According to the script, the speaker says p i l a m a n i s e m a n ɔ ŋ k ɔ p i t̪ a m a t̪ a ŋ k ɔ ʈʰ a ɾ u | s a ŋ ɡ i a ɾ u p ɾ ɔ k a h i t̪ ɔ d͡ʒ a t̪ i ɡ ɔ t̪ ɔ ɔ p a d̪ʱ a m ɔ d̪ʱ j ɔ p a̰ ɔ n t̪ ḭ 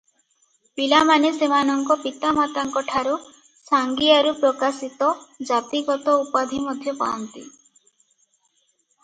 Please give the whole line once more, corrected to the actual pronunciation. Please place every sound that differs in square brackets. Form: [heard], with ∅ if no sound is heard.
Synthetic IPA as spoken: p i l a m a n [e] s e m a n ɔ ŋ k ɔ p i t̪ a m a t̪ a ŋ k ɔ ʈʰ a ɾ u | s a ŋ ɡ i a ɾ u p ɾ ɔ k a [s] i t̪ ɔ d͡ʒ a t̪ i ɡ ɔ t̪ ɔ [u] p a d̪ʱ [i] m ɔ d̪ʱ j ɔ p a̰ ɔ n t̪ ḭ